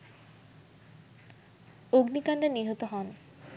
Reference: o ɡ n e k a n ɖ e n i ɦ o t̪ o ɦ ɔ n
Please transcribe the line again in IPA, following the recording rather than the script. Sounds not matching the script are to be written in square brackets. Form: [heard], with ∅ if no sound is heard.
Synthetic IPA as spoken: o ɡ n [i] k a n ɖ e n i ɦ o t̪ o ɦ ɔ n